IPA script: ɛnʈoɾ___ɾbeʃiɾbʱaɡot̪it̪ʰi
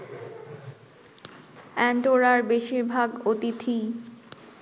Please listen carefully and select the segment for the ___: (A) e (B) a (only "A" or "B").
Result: B